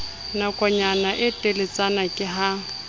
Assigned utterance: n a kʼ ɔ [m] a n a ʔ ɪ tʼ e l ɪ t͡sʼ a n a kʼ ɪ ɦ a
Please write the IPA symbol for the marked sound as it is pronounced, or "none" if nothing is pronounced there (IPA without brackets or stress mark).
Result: ɲ